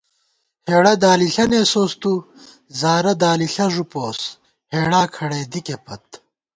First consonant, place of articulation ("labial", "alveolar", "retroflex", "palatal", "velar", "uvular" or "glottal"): glottal